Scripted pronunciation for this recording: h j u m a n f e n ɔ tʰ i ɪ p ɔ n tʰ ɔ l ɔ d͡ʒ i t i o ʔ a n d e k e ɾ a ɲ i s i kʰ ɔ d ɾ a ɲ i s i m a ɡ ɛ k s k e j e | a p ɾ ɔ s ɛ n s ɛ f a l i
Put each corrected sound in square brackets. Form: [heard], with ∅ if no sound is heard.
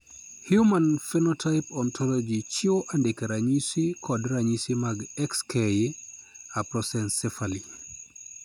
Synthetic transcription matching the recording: h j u m a n f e n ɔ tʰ [a] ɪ p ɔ n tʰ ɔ l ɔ d͡ʒ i [t͡ʃ] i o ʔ a n d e k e ɾ a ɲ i s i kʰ ɔ d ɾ a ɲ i s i m a ɡ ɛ k s k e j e | a p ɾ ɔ s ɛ n s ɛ f a l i